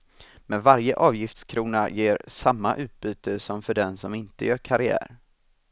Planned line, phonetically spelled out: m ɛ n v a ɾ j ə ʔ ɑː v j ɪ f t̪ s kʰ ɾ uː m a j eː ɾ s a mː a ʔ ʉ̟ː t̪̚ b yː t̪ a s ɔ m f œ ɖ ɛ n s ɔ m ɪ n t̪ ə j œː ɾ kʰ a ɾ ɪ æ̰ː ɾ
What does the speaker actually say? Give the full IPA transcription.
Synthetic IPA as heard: m ɛ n v a ɾ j ə ʔ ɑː v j ɪ f t̪ s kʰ ɾ uː n a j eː ɾ s a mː a ʔ ʉ̟ː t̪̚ b yː t̪ ə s ɔ m f œ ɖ ɛ n s ɔ m ɪ n t̪ ə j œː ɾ kʰ a ɾ ɪ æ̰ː ɾ